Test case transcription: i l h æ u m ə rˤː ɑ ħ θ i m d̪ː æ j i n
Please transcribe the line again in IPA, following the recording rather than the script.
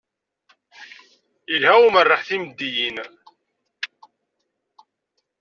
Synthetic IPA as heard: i l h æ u m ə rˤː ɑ ħ θ i m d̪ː i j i n